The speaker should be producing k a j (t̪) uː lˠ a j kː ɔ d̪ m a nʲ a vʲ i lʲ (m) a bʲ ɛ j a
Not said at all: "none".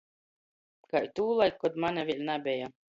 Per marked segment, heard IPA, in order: t̪, n

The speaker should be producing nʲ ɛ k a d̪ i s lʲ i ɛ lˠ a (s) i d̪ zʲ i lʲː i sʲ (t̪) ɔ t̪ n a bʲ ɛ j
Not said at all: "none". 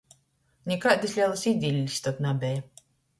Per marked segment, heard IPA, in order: s, t̪

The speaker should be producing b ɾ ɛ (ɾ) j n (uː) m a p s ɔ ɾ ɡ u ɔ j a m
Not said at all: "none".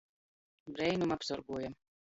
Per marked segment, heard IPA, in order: none, u

